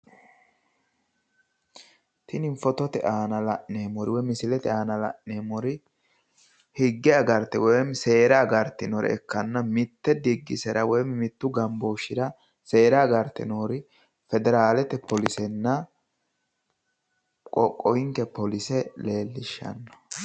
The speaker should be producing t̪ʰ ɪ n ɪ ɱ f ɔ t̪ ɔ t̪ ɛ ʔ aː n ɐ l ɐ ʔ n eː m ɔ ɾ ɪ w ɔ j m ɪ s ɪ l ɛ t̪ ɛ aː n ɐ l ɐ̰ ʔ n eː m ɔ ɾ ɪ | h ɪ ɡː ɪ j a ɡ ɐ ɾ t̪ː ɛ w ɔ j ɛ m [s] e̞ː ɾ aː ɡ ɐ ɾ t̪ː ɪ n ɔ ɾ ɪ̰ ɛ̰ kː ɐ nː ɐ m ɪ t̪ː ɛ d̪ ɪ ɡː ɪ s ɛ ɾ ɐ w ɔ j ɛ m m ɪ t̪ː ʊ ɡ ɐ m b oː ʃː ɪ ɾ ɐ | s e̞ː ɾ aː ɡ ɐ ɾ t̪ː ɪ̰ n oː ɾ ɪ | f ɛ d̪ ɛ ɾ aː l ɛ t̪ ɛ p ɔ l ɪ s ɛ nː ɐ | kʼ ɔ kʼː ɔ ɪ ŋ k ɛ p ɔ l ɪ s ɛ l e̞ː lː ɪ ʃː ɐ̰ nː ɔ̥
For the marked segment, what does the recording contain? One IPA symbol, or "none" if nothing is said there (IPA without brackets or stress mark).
s